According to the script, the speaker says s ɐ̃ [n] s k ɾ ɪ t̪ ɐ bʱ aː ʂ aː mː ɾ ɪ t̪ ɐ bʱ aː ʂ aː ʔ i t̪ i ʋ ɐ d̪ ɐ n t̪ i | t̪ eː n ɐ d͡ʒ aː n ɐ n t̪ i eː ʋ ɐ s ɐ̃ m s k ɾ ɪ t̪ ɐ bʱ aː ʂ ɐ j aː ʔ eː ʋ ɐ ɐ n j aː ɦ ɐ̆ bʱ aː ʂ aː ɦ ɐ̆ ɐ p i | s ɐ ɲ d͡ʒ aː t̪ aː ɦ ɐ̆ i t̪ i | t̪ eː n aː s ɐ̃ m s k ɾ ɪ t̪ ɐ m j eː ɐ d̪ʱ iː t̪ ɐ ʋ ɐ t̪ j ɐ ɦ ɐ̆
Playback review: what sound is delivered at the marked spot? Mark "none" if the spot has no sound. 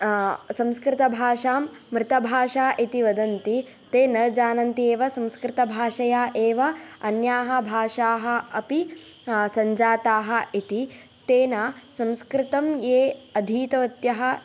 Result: m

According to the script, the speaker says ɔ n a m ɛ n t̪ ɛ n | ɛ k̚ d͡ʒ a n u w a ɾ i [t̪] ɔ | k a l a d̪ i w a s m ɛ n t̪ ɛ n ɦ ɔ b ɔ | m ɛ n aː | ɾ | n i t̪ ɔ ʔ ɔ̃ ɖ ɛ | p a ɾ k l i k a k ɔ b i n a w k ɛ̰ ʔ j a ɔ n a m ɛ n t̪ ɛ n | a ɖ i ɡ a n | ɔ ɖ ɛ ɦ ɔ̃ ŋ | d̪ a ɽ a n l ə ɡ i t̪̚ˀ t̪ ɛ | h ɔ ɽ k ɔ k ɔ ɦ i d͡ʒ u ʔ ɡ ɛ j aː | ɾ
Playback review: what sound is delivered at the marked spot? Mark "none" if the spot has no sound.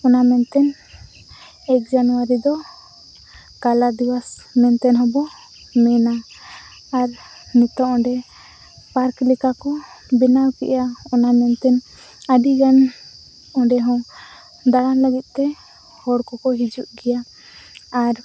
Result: d̪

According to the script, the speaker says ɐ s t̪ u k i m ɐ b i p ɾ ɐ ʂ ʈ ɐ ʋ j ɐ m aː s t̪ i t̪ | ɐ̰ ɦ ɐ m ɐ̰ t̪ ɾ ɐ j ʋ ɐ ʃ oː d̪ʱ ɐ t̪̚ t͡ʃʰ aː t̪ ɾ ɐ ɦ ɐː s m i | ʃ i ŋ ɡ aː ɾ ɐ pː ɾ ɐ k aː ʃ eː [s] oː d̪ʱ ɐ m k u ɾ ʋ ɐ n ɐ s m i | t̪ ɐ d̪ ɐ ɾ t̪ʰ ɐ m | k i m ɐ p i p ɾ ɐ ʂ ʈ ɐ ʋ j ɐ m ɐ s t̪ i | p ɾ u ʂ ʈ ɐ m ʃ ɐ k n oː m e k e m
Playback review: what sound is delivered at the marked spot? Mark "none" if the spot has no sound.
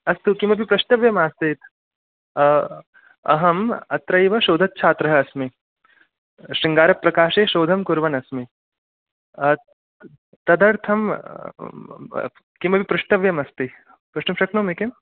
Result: ʃ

